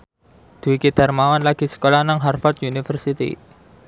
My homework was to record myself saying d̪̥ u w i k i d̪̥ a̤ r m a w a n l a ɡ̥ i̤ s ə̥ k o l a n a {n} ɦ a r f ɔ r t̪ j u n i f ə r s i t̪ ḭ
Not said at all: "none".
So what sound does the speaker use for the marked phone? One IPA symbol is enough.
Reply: ŋ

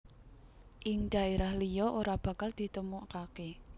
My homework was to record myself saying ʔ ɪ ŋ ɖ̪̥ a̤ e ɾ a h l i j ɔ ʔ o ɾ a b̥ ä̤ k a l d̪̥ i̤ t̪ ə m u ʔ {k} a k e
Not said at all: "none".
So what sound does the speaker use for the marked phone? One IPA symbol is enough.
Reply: k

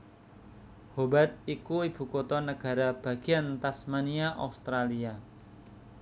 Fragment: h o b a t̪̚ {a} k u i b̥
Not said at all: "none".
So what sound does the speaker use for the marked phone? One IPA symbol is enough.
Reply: i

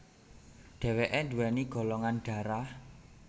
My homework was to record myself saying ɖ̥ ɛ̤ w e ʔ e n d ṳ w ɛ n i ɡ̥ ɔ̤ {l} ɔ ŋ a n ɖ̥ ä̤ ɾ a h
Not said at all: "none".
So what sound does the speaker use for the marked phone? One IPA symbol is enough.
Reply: l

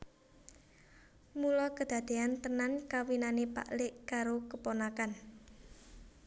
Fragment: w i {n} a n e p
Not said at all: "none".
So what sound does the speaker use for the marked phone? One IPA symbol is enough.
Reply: n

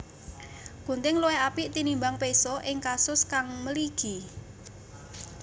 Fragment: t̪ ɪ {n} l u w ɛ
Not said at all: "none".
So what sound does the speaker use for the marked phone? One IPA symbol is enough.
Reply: ŋ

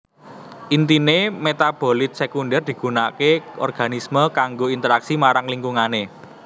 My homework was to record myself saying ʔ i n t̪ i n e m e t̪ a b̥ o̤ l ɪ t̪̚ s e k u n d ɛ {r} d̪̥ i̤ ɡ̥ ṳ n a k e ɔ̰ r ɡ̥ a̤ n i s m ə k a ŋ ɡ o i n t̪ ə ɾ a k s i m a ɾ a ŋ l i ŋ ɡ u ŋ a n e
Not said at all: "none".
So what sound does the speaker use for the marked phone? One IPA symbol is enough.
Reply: r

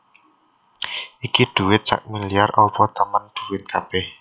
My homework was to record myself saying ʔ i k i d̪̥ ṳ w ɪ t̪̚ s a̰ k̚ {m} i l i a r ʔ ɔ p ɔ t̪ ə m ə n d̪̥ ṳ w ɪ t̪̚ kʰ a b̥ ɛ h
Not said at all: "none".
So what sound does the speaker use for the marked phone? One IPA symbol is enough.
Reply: m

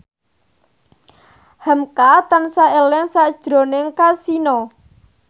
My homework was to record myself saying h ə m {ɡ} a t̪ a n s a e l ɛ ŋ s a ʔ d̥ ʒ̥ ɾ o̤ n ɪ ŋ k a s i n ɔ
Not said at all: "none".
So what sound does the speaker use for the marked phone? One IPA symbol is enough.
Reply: k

